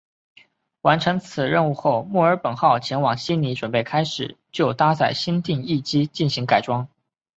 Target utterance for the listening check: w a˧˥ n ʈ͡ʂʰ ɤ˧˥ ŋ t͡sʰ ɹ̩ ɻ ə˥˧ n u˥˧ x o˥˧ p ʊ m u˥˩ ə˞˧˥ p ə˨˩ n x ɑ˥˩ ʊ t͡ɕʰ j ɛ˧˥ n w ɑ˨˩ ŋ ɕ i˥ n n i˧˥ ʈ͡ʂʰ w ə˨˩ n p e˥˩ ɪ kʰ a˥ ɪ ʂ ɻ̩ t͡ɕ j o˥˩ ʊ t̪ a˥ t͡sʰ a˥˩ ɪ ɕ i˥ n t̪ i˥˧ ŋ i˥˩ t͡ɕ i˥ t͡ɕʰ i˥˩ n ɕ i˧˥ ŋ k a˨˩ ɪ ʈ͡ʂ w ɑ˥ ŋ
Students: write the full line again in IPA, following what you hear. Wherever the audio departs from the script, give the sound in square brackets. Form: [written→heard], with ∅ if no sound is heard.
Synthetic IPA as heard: w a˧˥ n ʈ͡ʂʰ ɤ˧˥ ŋ t͡sʰ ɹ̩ ɻ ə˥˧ n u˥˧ x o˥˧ [p→∅] ʊ m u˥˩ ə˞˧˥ p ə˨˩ n x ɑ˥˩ ʊ t͡ɕʰ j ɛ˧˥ n w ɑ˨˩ ŋ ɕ i˥ n n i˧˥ [ʈ͡ʂʰ→ʈ͡ʂ] w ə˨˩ n p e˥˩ ɪ kʰ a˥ ɪ ʂ ɻ̩ t͡ɕ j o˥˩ ʊ t̪ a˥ [t͡sʰ→t͡s] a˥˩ ɪ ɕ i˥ n t̪ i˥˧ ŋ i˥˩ t͡ɕ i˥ [t͡ɕʰ→t͡ɕ] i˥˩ n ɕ i˧˥ ŋ k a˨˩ ɪ ʈ͡ʂ w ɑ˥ ŋ